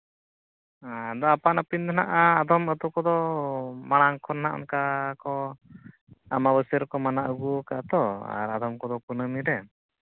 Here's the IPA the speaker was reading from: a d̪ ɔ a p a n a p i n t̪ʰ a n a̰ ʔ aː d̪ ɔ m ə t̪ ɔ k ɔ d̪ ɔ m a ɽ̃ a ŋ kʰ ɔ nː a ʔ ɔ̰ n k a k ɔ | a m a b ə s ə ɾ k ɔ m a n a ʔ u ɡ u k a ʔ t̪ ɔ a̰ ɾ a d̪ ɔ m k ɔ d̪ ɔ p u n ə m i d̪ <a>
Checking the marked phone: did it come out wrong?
yes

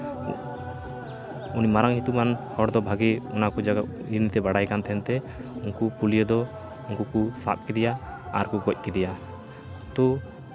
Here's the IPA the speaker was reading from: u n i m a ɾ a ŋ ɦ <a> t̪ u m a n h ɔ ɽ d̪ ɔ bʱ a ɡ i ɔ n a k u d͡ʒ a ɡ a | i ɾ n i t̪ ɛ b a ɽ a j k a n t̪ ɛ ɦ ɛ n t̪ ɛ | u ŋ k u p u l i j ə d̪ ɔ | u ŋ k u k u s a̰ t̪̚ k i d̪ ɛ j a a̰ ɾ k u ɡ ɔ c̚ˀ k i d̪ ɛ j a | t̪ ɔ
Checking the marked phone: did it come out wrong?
yes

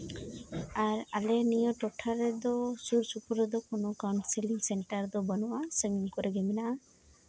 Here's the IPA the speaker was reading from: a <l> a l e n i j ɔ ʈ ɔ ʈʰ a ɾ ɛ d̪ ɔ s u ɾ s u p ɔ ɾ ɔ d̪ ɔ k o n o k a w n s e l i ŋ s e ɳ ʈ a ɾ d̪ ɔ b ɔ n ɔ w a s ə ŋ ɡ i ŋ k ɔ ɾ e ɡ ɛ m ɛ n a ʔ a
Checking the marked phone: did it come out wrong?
yes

